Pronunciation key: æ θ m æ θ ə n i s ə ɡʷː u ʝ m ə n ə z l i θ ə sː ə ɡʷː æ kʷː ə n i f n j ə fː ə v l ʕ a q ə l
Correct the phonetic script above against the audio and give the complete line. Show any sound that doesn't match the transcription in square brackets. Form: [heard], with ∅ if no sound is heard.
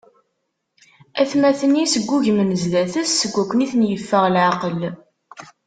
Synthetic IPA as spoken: æ θ m æ θ ə n i s ə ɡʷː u ʝ m ə n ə z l [æ] θ ə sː ə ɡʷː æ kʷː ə n i [θ] n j ə fː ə [ʁ] l ʕ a q ə l

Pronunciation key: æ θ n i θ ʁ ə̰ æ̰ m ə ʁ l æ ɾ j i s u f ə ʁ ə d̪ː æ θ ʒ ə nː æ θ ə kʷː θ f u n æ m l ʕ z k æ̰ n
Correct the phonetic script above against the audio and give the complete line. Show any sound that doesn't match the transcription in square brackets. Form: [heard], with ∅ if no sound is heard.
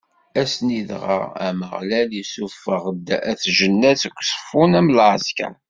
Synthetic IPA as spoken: æ [s] n i [ð] ʁ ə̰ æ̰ m ə ʁ l æ [l] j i s u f ə ʁ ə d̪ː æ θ ʒ ə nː æ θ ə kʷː [s] f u n æ m l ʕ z k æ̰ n

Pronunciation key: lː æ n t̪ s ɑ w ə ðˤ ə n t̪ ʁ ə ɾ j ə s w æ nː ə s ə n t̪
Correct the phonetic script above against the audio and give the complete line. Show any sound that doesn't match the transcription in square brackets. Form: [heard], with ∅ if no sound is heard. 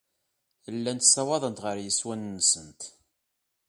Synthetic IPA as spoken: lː æ n t̪ s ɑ w [ɑ] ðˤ ə n t̪ ʁ ə ɾ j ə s w æ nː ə s ə n t̪

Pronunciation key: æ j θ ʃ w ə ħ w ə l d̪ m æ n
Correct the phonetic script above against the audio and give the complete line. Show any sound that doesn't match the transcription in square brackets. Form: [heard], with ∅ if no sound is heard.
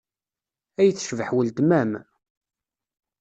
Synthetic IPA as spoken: æ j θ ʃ [v] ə ħ w ə l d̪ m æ [m]

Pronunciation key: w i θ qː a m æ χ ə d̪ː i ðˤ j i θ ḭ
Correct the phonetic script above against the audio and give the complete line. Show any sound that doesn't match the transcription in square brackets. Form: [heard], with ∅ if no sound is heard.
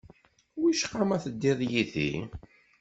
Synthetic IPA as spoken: w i [ʃ] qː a m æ [θ] ə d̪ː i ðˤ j i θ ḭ

